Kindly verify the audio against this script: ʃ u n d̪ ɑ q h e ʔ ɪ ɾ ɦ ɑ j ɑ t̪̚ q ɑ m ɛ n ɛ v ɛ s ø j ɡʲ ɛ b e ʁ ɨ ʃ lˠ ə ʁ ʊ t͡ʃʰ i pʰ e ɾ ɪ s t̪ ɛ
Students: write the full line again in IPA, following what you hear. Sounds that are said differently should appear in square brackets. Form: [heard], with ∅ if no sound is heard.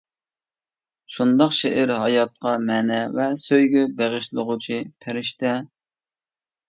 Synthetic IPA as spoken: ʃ u n d̪ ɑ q [ʃ] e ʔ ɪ ɾ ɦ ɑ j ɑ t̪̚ q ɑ m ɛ n ɛ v ɛ s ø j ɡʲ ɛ b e ʁ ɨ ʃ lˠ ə ʁ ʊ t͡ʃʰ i pʰ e ɾ ɪ [ʃ] t̪ ɛ